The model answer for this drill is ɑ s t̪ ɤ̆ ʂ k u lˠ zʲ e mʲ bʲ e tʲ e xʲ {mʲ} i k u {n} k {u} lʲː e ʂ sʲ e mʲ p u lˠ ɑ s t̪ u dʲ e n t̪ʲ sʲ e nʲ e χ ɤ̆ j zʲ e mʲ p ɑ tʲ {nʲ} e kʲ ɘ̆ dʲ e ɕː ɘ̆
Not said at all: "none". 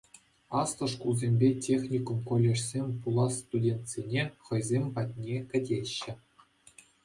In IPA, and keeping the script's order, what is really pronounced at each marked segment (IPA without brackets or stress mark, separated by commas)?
nʲ, m, o, nʲ